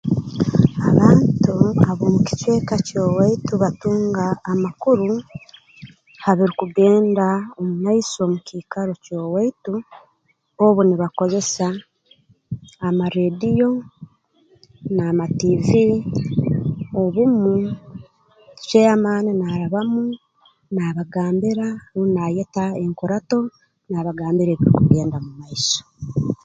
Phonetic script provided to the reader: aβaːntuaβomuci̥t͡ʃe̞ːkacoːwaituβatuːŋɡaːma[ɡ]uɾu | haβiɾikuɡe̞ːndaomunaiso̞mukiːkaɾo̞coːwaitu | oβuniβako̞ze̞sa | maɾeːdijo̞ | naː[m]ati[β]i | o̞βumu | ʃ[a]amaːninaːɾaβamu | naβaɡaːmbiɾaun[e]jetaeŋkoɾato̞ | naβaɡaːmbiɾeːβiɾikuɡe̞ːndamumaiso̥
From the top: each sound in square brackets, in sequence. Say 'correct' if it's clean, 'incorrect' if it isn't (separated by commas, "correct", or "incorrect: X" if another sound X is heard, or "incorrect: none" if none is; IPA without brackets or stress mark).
incorrect: k, correct, incorrect: v, incorrect: e, incorrect: a